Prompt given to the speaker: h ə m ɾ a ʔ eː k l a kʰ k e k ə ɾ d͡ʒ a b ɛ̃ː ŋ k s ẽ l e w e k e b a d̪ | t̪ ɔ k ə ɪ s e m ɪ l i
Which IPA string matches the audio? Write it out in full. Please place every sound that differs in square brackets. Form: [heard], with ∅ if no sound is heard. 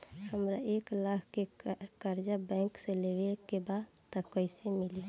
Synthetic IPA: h ə m ɾ a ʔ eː k l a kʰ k e k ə ɾ d͡ʒ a b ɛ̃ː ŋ k s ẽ l e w e k e b a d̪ | t̪ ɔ k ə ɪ s e m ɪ l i